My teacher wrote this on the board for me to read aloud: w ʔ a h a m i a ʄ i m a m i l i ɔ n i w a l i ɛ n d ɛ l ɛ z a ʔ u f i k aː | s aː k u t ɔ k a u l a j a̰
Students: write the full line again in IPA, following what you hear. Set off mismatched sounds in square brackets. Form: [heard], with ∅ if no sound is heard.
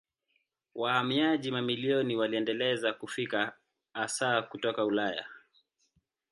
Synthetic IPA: w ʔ a h a m i a ʄ i m a m i l i ɔ n i w a l i ɛ n d ɛ l ɛ z a [k] u f i k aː | s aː k u t ɔ k a u l a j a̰